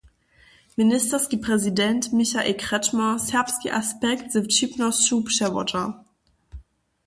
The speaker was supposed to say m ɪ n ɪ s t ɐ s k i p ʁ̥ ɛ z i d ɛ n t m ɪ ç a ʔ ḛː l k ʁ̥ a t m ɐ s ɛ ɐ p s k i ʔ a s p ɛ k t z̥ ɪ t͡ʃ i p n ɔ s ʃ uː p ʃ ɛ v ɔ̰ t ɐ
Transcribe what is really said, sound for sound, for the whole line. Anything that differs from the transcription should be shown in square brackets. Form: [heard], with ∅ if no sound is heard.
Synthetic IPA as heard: m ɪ n ɪ s t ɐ s k i p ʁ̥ ɛ z i d ɛ n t m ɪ ç a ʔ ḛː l k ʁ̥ [ɛ] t m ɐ s ɛ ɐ p s k i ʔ a s p ɛ k t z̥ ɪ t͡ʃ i p n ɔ s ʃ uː p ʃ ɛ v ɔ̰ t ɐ